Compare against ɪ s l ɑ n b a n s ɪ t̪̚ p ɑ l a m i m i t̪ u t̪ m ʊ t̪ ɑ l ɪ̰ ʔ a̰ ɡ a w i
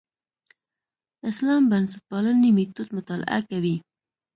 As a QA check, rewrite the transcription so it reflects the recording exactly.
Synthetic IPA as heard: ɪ s l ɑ m b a n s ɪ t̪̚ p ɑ l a n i m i t̪ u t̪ m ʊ t̪ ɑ l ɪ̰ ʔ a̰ k a w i